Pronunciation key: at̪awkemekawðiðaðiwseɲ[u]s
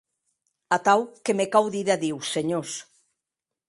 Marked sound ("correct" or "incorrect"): incorrect